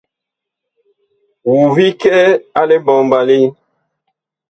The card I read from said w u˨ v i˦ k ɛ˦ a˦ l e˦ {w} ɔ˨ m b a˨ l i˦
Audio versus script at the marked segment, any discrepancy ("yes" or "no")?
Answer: yes